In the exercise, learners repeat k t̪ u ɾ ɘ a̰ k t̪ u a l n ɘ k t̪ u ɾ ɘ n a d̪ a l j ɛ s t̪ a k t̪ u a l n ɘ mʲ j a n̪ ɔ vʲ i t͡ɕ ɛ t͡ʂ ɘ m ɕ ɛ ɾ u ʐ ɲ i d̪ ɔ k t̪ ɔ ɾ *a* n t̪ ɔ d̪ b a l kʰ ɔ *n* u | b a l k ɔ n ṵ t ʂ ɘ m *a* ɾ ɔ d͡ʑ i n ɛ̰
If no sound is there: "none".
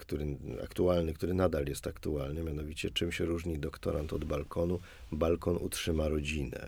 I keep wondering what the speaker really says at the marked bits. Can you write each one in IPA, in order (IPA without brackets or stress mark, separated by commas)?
a, n, a